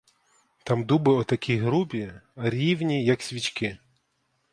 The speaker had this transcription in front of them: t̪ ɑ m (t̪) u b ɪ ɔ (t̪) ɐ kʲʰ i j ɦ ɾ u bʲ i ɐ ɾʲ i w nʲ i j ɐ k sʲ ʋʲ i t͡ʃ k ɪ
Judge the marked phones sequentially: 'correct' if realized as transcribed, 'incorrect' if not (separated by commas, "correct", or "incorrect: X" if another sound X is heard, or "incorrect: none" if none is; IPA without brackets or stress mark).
incorrect: d̪, correct